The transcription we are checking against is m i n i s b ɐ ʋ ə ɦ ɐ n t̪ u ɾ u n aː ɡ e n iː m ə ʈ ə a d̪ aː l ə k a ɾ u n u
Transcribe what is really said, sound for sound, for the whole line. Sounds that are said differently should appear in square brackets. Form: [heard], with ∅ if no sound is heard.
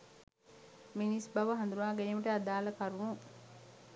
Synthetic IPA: m i n i s b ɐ ʋ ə ɦ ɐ n [d̪] u ɾ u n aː ɡ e n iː m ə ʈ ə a d̪ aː l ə k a ɾ u n u